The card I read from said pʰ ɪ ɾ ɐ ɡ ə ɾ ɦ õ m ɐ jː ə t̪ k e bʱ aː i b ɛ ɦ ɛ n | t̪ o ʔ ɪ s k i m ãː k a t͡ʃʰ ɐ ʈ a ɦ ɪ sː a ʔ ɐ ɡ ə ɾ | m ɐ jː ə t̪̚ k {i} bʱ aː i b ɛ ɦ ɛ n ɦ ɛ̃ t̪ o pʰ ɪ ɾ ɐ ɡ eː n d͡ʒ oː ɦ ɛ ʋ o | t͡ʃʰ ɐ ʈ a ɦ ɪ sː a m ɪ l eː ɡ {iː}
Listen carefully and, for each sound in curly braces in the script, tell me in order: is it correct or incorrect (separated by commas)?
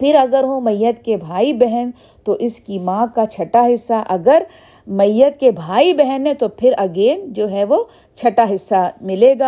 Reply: incorrect, incorrect